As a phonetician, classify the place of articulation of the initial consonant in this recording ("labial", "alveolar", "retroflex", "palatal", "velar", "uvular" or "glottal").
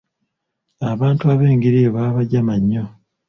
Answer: labial